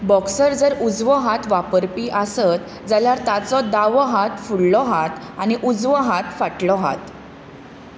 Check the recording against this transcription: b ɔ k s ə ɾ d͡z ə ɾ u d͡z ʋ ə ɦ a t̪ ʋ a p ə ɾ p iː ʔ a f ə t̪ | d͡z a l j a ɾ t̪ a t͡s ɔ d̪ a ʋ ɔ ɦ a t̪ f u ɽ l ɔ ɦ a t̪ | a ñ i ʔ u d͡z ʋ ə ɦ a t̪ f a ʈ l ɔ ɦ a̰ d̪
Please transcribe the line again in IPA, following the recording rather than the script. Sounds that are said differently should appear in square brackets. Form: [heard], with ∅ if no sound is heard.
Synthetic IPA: b ɔ k s ə ɾ d͡z ə ɾ u d͡z ʋ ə ɦ a t̪ ʋ a p ə ɾ p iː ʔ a [s] ə t̪ | d͡z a l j a ɾ t̪ a t͡s ɔ d̪ a ʋ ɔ ɦ a t̪ f u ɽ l ɔ ɦ a t̪ | a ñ i ʔ u d͡z ʋ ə ɦ a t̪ f a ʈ l ɔ ɦ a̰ [t̪]